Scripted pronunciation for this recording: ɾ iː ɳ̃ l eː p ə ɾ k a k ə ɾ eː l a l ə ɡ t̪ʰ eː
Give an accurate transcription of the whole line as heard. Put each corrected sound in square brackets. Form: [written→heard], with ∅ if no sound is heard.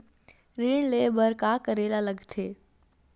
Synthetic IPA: ɾ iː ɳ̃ l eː [p→b] ə ɾ k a k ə ɾ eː l a l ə ɡ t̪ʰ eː